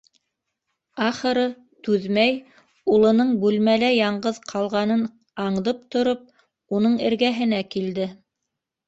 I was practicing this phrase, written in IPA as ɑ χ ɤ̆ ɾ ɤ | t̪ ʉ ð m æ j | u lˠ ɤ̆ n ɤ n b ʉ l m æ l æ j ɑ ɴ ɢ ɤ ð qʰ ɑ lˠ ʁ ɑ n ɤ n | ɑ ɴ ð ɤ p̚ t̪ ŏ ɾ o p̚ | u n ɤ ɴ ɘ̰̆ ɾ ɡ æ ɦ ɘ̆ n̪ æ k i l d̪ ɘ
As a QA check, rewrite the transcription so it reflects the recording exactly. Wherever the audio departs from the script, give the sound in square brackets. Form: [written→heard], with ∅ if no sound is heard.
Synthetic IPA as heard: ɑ χ ɤ̆ ɾ ɤ | t̪ ʉ ð m æ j | u lˠ ɤ̆ n ɤ [n→ɴ] b ʉ l m æ l æ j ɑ ɴ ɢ ɤ ð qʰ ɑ lˠ ʁ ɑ n ɤ n | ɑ ɴ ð ɤ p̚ t̪ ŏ ɾ o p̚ | u n ɤ ɴ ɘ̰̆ ɾ ɡ æ ɦ ɘ̆ n̪ æ k i l d̪ ɘ